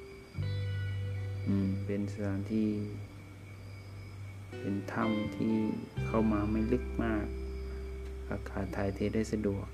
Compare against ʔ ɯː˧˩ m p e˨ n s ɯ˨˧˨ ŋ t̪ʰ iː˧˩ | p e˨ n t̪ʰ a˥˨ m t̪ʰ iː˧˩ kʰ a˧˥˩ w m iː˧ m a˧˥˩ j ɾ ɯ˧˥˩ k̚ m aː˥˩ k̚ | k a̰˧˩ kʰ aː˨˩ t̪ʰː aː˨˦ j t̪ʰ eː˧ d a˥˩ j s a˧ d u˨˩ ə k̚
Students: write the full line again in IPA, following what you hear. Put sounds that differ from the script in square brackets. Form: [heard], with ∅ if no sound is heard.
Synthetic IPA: ʔ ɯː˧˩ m p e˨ n s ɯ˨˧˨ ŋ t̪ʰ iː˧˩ | p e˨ n t̪ʰ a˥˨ m t̪ʰ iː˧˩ kʰ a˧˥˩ w m [aː˧] m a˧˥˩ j [l] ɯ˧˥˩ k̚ m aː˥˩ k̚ | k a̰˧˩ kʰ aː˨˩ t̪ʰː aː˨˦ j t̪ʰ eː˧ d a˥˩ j s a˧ d u˨˩ ə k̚